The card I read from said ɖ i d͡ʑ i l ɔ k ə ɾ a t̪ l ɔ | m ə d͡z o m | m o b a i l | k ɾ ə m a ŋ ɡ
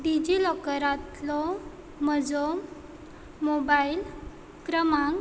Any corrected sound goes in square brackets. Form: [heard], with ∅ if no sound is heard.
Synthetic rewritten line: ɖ i d͡ʑ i l ɔ k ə ɾ a t̪ l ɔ | m ə d͡z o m | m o b a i l | k ɾ ə m a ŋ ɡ

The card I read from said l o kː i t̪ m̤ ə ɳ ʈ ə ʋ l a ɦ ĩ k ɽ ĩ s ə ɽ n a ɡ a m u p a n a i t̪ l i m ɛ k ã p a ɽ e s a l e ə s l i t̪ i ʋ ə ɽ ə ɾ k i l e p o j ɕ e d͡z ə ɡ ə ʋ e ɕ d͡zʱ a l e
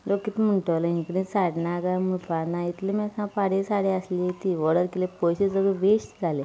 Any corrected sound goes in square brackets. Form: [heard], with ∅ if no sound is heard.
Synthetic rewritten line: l o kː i t̪ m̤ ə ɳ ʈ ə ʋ l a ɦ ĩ k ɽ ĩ s [a] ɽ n a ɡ a m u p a n a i t̪ l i m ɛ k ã p a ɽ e s a [ɽ] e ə s l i t̪ i ʋ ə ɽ ə ɾ k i l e p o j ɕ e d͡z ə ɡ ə ʋ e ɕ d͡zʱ a l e

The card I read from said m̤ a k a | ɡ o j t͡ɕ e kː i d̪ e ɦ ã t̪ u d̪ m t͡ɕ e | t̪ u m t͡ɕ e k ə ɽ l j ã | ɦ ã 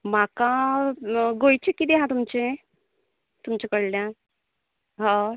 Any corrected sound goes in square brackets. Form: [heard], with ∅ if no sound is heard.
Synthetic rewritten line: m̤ a k a | ɡ o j t͡ɕ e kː i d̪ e ɦ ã t̪ u [∅] m t͡ɕ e | t̪ u m t͡ɕ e k ə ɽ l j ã | ɦ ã

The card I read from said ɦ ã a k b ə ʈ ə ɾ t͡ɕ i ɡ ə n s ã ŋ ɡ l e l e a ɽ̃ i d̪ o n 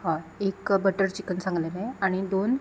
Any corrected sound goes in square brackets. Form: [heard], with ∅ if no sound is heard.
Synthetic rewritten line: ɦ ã [e] k b ə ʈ ə ɾ t͡ɕ i [k] ə n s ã ŋ ɡ l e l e a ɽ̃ i d̪ o n

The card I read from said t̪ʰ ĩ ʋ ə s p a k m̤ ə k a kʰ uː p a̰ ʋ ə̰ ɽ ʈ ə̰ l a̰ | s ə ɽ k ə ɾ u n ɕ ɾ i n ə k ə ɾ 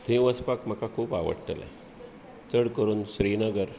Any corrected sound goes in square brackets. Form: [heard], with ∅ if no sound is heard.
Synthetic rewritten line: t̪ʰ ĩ ʋ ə s p a k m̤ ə k a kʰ uː p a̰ ʋ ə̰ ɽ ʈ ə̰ l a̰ | [t͡s] ə ɽ k ə ɾ [uː] n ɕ ɾ i n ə [ɡ] ə ɾ

